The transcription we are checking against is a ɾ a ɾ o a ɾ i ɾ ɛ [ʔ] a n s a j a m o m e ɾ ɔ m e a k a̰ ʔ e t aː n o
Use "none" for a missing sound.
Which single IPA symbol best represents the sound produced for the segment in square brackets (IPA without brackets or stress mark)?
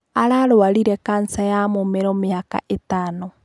k